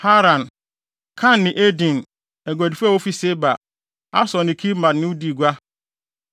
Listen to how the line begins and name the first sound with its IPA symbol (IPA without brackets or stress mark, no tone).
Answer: h